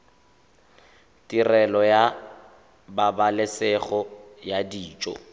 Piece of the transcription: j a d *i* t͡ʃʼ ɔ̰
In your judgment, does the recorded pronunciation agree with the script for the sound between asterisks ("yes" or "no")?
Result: no